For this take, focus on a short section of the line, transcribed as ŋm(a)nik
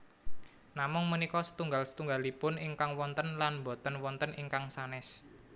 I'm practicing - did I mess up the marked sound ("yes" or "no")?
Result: yes